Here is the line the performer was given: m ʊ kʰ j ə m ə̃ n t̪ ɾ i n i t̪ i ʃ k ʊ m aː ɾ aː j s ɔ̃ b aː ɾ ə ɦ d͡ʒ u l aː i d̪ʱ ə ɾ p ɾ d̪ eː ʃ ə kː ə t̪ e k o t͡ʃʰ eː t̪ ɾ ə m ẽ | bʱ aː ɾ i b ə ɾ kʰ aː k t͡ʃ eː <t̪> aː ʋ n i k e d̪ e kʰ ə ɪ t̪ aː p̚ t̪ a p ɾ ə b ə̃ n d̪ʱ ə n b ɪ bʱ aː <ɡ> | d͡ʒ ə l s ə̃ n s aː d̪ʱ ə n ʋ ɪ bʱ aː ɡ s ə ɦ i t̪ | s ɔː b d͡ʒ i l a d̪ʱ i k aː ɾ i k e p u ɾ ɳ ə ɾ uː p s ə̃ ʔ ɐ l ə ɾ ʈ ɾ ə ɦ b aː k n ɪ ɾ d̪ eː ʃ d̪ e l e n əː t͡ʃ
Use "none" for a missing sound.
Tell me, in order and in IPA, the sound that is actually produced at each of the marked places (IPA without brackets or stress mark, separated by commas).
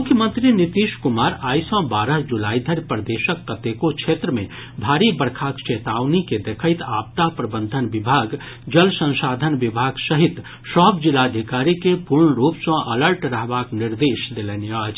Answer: t̪, ɡ